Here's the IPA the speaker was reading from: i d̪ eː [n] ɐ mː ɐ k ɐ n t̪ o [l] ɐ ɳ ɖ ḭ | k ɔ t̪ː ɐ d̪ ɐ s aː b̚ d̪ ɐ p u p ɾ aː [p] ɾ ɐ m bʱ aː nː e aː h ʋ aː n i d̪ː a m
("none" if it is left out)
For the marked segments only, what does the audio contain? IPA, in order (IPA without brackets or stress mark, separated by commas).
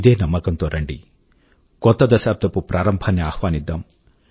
n, ɾ, none